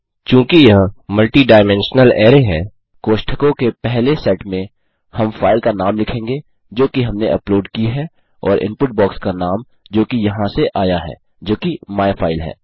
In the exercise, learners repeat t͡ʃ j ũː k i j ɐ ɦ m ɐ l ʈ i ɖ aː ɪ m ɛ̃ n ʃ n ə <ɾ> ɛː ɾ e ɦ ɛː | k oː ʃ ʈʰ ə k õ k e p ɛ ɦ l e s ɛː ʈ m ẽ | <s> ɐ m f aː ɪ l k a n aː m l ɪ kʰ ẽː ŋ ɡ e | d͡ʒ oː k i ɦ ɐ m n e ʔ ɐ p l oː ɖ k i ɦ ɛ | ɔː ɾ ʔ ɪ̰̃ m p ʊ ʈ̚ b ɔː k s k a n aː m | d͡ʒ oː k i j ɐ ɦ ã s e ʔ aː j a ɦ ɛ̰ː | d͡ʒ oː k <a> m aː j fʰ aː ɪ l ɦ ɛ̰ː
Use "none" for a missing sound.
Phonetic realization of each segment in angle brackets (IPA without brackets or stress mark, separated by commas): l, h, i